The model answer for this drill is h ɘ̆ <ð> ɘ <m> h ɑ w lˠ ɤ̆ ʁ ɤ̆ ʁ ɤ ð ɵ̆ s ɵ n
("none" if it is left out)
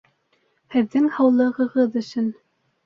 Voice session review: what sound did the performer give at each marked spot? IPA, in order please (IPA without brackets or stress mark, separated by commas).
ðː, ŋ